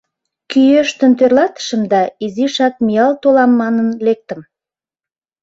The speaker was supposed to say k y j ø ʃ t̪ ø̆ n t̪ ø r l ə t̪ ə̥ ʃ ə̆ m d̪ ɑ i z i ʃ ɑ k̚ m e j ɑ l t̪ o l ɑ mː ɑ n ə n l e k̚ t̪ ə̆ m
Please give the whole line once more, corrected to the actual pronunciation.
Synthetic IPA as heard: k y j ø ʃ t̪ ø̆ n t̪ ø r l ɑ t̪ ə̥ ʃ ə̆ m d̪ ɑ i z i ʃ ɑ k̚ m i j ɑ l t̪ o l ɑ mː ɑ n ə n l e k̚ t̪ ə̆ m

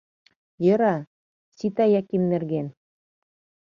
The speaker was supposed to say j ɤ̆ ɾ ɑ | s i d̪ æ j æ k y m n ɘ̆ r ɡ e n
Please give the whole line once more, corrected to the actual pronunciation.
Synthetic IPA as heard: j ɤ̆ ɾ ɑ | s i t̪ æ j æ k i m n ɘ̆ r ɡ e n

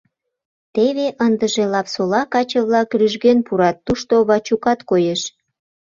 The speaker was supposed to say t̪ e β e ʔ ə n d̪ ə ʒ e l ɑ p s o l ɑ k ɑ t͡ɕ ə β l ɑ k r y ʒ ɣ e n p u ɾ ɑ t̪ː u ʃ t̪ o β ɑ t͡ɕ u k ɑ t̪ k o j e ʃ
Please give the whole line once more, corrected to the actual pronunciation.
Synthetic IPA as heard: t̪ e β e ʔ ə n d̪ ə ʒ e l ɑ p s o l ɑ k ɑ t͡ɕ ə β l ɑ k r y ʒ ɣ e n p u ɾ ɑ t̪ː u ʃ t̪ o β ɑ t͡ɕ u k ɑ t̪ k o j e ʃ

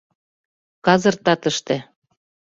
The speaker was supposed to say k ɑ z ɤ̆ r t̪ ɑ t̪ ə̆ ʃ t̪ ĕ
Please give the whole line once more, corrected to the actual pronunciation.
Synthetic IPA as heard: k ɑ z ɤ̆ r t̪ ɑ t̪ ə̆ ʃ t̪ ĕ

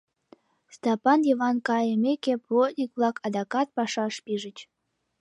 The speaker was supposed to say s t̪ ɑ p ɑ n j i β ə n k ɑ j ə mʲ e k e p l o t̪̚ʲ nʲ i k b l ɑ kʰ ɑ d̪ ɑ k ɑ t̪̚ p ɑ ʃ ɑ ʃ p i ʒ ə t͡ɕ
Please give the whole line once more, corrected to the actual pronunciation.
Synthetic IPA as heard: s t̪ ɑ p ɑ n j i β ɑ n k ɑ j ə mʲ e k e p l o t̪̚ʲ nʲ i k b l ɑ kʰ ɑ d̪ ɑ k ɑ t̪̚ p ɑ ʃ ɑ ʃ p i ʒ ə t͡ɕ

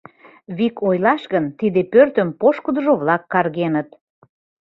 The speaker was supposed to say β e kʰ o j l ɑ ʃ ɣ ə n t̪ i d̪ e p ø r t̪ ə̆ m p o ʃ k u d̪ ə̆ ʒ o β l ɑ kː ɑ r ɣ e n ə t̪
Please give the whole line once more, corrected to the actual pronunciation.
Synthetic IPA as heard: β i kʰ o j l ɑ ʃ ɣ ə n t̪ i d̪ e p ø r t̪ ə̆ m p o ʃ k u d̪ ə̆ ʒ o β l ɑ kː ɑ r ɣ e n ə t̪

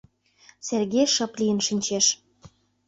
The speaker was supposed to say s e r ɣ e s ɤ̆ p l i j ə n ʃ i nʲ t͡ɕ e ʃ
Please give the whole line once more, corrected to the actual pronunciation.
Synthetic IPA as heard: s e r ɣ e ʃ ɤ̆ p l i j ə n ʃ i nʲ t͡ɕ e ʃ

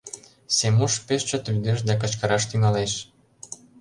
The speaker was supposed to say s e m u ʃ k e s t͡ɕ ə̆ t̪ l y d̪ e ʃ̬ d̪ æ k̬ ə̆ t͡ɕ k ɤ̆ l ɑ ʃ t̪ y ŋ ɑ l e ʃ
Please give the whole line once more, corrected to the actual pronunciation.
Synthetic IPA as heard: s e m u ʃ p e ʃ t͡ɕ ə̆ t̪ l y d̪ e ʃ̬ d̪ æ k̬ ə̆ t͡ɕ k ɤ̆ ɾ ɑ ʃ t̪ y ŋ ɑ l e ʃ

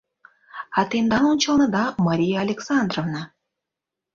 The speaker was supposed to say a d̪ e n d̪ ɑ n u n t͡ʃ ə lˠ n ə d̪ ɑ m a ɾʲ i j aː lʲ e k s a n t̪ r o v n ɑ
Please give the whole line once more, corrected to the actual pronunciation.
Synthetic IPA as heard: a t̪ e n d̪ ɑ n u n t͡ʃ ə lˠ n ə d̪ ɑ m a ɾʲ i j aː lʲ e k s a n d̪ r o v n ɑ

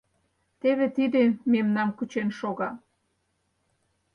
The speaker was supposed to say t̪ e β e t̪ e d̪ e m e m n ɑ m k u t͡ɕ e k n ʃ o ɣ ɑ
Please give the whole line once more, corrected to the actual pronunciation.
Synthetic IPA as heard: t̪ e β e t̪ i d̪ e m e m n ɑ m k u t͡ɕ e n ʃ o ɣ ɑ

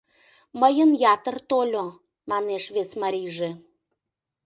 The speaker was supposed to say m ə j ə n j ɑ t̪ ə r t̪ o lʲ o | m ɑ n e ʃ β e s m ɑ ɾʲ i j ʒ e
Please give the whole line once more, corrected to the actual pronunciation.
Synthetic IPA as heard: m ə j ə n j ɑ t̪ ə r t̪ o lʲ o | m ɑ n e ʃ β e s m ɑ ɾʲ i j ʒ e

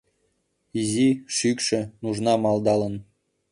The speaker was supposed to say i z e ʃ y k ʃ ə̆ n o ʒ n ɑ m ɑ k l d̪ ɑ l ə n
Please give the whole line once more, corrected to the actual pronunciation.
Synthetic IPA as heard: i z i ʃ y k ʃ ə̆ n u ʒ n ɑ m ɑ l d̪ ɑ l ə n

